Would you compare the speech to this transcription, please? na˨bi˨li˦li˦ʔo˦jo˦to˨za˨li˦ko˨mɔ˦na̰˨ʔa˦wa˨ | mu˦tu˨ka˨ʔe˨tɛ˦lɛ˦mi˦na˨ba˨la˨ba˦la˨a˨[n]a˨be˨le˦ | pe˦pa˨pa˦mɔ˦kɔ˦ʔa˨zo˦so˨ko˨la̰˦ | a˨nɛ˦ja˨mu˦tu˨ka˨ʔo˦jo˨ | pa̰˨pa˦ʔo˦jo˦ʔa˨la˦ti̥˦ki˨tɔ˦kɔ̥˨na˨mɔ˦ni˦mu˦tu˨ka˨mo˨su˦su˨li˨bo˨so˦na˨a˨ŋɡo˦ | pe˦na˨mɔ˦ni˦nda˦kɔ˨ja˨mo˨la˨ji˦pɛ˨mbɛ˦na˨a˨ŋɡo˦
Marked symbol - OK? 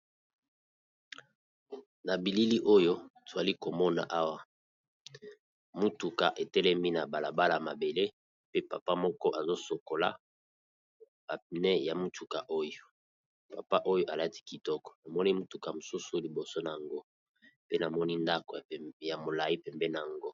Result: no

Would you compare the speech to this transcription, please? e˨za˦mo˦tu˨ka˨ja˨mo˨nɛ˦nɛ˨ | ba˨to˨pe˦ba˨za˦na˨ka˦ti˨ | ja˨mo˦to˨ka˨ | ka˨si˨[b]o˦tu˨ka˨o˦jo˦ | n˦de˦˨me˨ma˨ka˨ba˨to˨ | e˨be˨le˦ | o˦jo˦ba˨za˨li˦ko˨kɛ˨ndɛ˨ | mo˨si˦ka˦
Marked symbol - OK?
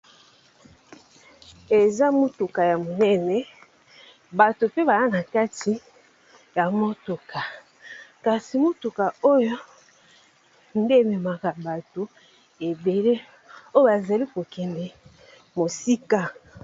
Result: no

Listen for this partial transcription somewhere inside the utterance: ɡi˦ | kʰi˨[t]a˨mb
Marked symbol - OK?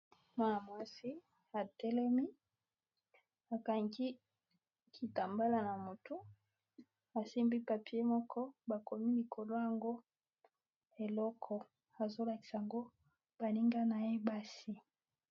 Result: yes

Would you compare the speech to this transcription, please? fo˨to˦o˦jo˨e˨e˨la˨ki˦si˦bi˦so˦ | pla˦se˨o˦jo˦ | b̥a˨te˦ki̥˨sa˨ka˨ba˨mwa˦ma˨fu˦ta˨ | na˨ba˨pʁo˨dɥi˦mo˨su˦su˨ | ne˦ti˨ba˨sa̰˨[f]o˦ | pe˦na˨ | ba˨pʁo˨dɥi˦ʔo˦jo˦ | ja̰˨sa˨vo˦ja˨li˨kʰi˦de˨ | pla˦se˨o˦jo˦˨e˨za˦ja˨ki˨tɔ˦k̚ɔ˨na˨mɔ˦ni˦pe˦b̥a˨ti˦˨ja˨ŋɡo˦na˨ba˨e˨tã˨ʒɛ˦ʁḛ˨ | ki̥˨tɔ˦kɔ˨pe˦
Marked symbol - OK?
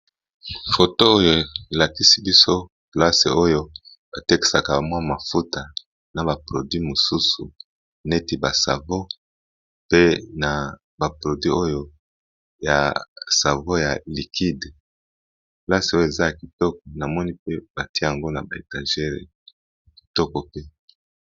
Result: no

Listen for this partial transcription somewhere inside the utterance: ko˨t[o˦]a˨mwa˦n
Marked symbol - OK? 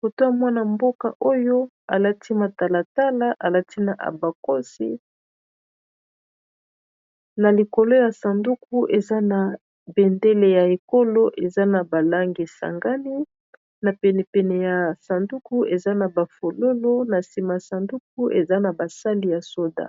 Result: yes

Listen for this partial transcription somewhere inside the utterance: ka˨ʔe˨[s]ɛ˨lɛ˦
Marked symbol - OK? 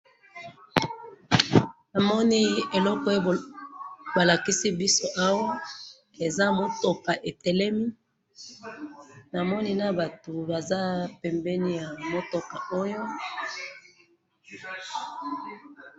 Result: no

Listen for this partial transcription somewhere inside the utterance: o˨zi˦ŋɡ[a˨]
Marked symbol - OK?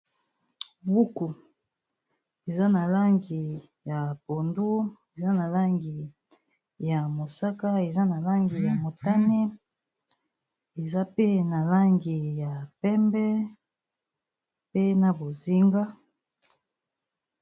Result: no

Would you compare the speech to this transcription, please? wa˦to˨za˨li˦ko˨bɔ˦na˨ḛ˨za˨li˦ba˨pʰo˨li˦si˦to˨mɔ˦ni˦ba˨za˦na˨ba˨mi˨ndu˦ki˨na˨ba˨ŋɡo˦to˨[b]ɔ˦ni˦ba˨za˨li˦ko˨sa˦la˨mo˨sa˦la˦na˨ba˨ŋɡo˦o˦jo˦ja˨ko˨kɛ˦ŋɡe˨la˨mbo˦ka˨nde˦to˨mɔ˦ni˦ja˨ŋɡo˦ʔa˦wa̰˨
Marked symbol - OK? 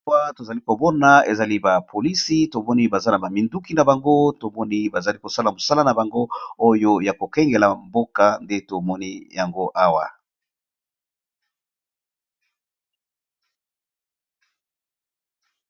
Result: no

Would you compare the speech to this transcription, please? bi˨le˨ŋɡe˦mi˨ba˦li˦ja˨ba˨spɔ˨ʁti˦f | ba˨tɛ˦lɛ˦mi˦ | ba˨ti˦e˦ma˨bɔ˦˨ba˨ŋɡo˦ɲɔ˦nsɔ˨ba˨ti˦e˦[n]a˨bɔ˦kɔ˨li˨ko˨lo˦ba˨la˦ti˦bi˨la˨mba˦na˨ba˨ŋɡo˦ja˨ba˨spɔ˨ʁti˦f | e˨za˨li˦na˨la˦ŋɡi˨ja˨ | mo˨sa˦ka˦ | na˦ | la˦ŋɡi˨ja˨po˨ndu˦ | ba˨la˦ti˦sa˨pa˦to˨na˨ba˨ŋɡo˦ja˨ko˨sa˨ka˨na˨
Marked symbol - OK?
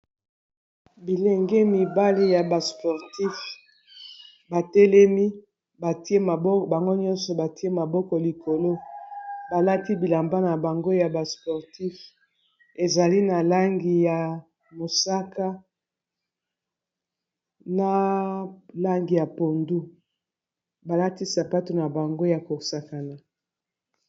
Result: no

